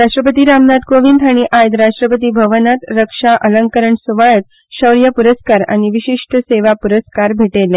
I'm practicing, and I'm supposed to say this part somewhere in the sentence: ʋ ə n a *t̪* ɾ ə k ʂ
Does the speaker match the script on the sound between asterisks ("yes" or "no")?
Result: yes